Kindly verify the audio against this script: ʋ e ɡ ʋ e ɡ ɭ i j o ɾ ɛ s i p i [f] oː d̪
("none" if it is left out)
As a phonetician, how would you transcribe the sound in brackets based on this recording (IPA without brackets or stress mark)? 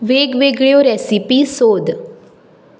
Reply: s